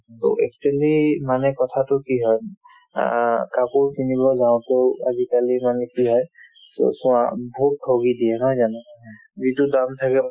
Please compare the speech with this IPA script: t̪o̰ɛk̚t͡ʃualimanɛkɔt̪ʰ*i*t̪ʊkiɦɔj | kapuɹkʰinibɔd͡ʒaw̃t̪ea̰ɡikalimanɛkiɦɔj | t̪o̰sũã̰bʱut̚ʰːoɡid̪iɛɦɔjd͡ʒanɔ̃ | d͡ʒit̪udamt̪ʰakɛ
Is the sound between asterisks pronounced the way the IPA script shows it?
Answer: no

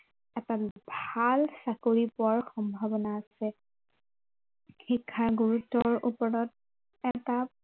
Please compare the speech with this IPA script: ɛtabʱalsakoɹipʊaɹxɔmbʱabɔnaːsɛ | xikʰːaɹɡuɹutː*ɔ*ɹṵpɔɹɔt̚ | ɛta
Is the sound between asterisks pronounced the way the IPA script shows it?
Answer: yes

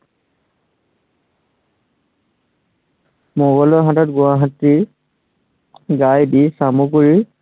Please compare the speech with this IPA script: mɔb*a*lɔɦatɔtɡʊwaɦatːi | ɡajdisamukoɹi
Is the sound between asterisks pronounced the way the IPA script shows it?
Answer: yes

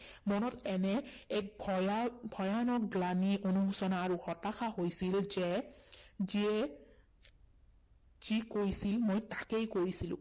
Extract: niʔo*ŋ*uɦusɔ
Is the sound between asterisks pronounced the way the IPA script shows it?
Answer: no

